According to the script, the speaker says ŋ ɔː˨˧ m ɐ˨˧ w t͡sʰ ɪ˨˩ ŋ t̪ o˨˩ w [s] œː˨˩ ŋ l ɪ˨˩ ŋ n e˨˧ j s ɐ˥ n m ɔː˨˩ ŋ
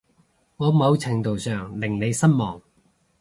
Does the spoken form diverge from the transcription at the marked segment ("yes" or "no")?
no